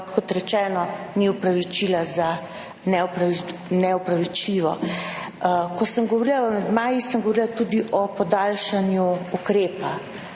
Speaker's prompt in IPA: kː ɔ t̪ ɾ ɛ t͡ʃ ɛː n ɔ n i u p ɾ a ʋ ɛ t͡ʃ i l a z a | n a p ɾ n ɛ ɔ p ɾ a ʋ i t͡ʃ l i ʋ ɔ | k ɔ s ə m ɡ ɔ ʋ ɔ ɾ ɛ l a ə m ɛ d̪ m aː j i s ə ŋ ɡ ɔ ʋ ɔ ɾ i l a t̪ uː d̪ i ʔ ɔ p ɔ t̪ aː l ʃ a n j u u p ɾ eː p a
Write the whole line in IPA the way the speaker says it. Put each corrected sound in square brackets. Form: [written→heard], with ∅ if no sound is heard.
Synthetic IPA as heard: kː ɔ t̪ ɾ ɛ t͡ʃ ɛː n ɔ n i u p ɾ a ʋ [ɛ→i] t͡ʃ i l a z a | n [a→ɛ] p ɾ n ɛ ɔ p ɾ a ʋ i t͡ʃ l i ʋ ɔ | k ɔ s ə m ɡ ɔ ʋ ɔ ɾ [ɛ→i] l a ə m ɛ d̪ m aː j i s ə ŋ ɡ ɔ ʋ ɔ ɾ i l a t̪ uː d̪ i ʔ ɔ p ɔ [t̪→d̪] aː l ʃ a n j u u [p→k] ɾ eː p a